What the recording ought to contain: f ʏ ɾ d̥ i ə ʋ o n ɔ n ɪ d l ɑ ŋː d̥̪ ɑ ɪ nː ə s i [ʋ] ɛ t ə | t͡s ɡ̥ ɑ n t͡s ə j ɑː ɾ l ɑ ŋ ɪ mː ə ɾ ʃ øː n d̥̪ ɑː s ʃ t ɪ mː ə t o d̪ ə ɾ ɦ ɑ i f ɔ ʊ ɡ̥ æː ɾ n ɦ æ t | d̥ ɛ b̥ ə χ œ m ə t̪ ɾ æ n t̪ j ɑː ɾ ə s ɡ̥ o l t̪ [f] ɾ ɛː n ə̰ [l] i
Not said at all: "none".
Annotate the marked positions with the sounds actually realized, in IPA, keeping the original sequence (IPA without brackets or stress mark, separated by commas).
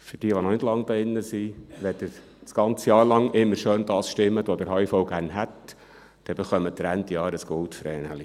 ʋ, f, l